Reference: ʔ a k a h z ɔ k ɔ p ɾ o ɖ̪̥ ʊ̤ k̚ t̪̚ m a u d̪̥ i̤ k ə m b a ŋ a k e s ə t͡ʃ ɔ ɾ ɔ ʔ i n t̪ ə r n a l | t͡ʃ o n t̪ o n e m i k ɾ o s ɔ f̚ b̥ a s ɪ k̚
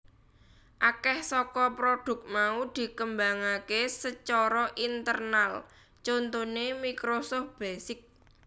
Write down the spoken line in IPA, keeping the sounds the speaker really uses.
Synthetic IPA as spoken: ʔ a k ɛ h s ɔ k ɔ p ɾ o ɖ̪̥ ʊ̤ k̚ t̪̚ m a u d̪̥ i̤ k ə m b a ŋ a k e s ə t͡ʃ ɔ ɾ ɔ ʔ i n t̪ ə r n a l | t͡ʃ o n t̪ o n e m i k ɾ o s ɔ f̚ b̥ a s ɪ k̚